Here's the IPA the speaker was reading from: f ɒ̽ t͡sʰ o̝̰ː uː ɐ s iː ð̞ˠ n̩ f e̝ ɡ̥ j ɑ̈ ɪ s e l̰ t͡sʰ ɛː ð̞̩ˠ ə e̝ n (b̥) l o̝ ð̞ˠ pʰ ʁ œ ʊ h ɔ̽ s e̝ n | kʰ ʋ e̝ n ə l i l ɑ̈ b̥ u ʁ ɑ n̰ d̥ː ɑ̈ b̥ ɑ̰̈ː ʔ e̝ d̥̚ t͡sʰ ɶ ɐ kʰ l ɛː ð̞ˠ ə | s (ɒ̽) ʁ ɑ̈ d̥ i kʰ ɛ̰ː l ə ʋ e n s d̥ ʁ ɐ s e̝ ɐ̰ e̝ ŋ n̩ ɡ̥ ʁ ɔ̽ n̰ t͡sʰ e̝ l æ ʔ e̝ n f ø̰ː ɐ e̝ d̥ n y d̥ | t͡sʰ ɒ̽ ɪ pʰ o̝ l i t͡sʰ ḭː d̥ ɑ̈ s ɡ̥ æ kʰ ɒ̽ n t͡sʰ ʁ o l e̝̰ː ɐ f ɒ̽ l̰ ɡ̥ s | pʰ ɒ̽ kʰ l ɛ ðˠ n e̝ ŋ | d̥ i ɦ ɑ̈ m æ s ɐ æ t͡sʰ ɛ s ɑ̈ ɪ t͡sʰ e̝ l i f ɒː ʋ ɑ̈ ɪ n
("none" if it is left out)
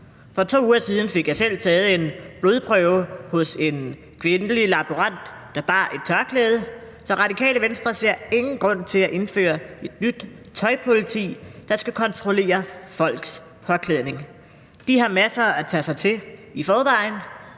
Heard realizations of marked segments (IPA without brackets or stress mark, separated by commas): b̥, ɒ̽